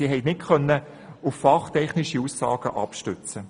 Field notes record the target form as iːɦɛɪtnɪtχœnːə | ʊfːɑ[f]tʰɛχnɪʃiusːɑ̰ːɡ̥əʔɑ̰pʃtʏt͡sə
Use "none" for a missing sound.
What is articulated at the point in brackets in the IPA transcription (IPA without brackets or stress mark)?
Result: χ